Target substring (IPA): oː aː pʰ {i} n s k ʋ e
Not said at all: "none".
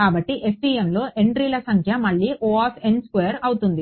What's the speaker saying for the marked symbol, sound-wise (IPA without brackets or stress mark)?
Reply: e